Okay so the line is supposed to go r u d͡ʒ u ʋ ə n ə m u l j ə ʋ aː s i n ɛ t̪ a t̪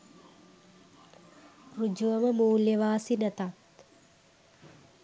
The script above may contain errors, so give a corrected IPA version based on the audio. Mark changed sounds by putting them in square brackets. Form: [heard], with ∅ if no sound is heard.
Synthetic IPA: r u d͡ʒ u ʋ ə [m] ə m [uː] l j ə ʋ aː s i n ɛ t̪ a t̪